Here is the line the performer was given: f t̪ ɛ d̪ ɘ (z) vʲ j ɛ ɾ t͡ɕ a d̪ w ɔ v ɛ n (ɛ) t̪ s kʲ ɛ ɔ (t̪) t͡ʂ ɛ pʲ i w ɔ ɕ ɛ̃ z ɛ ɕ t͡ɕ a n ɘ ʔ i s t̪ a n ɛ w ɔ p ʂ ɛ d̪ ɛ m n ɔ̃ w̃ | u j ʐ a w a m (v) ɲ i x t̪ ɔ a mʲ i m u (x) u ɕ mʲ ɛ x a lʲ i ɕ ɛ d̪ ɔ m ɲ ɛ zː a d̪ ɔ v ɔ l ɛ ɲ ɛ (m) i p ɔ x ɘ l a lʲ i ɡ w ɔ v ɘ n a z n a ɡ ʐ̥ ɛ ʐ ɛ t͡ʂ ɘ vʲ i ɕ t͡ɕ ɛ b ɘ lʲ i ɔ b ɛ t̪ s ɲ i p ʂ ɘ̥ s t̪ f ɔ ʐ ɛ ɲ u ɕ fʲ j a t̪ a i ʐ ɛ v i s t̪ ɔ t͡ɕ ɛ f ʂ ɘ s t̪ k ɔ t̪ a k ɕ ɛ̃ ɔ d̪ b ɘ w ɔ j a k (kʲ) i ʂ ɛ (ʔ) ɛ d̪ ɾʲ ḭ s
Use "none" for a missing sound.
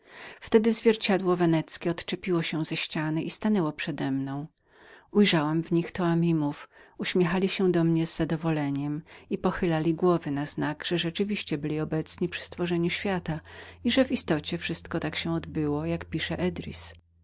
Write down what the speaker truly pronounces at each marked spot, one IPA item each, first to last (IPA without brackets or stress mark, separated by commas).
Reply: z, ɛ, t̪, v, f, m, pʲ, ʔ